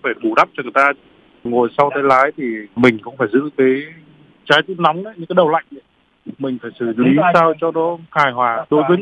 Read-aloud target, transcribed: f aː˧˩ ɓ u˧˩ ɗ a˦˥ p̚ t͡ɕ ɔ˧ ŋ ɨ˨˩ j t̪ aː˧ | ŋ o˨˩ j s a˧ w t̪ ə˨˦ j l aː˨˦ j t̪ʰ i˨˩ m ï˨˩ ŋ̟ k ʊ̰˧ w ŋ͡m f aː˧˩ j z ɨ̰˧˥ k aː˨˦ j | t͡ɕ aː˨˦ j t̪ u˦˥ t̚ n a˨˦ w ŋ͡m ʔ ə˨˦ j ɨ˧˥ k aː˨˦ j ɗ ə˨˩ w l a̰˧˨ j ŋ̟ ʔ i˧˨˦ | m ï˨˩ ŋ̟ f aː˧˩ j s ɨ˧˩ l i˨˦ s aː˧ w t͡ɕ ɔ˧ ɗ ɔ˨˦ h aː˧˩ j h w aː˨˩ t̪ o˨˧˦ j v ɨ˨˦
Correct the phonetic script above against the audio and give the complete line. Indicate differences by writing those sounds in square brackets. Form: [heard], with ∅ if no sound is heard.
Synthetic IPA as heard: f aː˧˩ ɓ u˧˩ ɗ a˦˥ p̚ t͡ɕ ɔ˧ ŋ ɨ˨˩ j t̪ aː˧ | ŋ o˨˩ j s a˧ w t̪ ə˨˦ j l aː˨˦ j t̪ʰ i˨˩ m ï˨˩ ŋ̟ k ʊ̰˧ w ŋ͡m f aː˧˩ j z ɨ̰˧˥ k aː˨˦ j | t͡ɕ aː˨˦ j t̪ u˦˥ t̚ n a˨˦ w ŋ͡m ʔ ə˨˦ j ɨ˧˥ k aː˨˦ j ɗ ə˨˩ w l a̰˧˨ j ŋ̟ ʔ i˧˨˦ | m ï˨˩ ŋ̟ f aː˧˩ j s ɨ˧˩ l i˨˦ s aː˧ w t͡ɕ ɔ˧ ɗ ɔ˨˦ h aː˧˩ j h w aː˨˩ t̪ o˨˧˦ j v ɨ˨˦